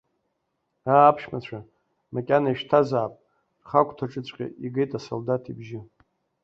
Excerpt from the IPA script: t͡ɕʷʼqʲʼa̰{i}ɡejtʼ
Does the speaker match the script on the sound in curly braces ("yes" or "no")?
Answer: yes